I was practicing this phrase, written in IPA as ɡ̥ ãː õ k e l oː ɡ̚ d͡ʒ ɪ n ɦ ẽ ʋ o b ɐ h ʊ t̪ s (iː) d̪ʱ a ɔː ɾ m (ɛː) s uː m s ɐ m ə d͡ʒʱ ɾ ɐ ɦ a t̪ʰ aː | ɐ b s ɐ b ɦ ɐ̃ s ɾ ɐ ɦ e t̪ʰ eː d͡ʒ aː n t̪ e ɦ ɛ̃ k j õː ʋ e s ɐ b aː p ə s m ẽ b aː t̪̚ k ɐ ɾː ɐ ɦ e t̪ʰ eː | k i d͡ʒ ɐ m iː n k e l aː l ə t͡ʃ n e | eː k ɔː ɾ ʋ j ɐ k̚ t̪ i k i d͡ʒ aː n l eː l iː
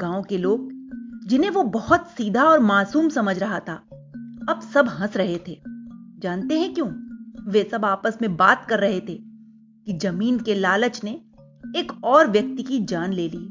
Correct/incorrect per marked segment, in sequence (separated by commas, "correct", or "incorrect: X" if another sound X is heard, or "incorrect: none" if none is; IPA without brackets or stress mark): correct, incorrect: aː